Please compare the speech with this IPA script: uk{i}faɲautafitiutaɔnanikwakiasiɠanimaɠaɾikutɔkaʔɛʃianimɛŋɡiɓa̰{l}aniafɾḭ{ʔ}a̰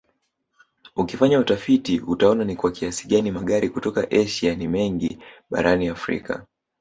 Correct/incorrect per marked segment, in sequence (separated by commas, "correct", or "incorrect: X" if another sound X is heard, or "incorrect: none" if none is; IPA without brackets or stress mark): correct, incorrect: ɾ, incorrect: k